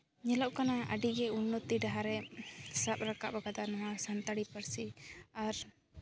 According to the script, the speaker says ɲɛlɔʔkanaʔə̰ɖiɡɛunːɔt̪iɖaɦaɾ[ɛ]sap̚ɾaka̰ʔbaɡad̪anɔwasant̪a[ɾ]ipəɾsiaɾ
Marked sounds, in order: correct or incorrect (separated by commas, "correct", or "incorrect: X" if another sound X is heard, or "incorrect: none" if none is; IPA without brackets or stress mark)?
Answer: correct, incorrect: ɽ